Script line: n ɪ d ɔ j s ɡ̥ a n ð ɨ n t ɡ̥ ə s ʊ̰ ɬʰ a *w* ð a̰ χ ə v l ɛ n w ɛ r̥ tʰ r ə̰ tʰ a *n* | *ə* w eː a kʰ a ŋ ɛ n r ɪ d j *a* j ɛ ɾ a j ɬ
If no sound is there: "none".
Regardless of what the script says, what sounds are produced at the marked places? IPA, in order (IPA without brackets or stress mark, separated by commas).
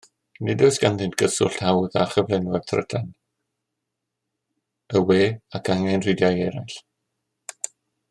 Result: w, n, ə, a